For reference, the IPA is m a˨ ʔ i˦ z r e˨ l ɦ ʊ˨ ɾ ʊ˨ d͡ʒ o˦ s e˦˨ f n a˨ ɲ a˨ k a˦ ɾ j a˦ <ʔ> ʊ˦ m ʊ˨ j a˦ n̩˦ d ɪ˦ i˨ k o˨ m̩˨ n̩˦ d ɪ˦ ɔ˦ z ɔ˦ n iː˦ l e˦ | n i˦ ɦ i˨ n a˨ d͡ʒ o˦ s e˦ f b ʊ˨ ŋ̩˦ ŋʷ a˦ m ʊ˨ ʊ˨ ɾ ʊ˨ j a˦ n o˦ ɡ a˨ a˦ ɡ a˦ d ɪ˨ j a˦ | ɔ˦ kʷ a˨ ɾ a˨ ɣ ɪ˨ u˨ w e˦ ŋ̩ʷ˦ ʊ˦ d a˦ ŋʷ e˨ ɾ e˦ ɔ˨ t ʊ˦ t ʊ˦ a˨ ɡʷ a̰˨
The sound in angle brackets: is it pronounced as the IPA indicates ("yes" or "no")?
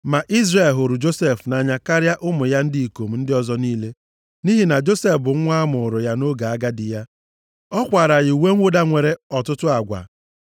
yes